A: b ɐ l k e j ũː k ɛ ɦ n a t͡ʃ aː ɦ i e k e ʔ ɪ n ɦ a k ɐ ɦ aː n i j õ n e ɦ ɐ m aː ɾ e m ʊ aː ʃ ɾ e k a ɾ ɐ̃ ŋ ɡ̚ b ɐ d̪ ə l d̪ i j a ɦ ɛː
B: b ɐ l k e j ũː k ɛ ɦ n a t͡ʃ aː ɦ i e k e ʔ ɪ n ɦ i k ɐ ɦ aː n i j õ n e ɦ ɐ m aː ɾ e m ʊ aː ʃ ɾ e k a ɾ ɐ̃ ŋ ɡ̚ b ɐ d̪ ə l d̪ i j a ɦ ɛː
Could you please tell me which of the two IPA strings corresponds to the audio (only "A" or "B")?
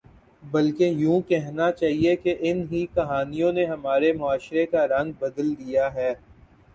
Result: B